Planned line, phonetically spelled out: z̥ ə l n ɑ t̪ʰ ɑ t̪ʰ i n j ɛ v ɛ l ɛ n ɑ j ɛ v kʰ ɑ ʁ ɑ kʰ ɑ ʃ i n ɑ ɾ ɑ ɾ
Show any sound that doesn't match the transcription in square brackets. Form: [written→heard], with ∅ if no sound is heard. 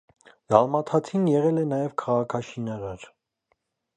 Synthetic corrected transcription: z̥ [ə→ɑ] l [n→m] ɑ t̪ʰ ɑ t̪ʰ i n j ɛ [v→ʁ] ɛ l ɛ n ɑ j ɛ v kʰ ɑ ʁ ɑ kʰ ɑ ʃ i n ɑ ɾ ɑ ɾ